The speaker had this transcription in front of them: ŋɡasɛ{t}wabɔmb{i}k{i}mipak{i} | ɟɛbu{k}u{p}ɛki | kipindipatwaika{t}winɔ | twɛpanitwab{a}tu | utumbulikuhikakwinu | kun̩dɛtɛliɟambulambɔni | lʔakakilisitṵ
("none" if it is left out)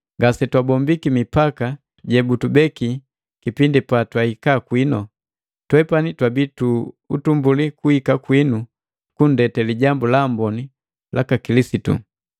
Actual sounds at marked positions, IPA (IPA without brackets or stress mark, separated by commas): t, i, i, a, t, b, k, i